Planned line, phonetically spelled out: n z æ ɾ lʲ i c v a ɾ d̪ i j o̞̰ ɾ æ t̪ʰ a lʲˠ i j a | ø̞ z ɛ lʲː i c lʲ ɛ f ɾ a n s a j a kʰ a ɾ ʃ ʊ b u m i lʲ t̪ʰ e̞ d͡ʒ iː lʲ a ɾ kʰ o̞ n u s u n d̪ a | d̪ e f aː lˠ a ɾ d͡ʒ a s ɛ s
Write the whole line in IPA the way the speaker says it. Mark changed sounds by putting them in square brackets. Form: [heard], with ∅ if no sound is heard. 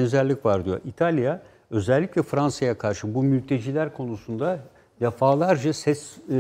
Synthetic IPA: n z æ ɾ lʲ i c v a ɾ d̪ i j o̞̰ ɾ [i] t̪ʰ a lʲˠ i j a | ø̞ z ɛ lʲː i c lʲ ɛ f ɾ a n s a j a kʰ a ɾ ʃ [ɯ] b u m [y] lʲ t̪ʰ e̞ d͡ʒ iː lʲ [æ] ɾ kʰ o̞ n u s u n d̪ a | d̪ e f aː lˠ a ɾ d͡ʒ a s ɛ s